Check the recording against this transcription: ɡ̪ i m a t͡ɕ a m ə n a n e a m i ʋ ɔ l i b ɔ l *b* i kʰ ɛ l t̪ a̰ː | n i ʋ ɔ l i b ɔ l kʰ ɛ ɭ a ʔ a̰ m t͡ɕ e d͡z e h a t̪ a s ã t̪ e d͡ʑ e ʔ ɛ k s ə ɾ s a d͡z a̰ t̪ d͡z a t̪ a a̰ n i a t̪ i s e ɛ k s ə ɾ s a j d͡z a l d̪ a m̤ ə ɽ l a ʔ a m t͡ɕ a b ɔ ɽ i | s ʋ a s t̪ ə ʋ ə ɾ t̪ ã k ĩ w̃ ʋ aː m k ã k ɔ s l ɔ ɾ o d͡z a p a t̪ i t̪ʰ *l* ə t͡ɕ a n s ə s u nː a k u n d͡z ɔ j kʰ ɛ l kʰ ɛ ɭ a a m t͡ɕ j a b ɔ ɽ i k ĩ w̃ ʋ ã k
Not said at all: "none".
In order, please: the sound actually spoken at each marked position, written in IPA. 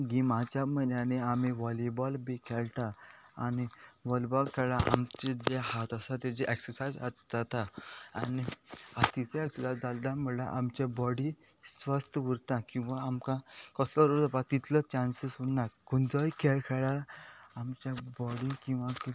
b, l

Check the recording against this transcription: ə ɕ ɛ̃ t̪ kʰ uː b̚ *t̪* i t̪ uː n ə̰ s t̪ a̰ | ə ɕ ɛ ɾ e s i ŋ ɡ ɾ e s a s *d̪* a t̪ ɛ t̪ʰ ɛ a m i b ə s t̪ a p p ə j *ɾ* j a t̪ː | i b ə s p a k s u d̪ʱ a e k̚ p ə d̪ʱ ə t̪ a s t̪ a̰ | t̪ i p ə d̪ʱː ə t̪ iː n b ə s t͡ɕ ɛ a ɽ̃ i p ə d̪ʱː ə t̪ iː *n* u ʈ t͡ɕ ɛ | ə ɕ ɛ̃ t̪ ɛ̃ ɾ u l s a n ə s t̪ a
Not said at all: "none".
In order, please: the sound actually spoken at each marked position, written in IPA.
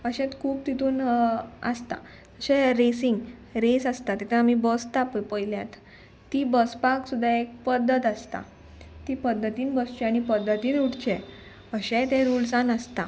t̪, t̪, l, n

